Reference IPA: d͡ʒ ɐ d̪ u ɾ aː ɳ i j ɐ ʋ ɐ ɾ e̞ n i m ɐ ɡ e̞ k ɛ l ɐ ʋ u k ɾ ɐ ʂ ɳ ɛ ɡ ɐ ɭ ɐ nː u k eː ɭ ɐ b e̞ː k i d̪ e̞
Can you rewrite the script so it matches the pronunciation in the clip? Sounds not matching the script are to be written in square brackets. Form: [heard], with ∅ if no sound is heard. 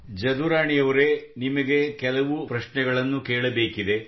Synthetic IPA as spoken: d͡ʒ ɐ d̪ u ɾ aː ɳ i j ɐ ʋ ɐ ɾ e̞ n i m ɐ ɡ e̞ k ɛ l ɐ ʋ u [p] ɾ ɐ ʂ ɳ ɛ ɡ ɐ ɭ ɐ nː u k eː ɭ ɐ b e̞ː k i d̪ e̞